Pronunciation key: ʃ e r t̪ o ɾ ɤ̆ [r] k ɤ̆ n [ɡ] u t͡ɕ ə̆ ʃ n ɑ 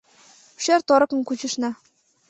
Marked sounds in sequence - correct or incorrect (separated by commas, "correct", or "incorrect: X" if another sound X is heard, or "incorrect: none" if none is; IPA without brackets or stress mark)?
incorrect: none, incorrect: k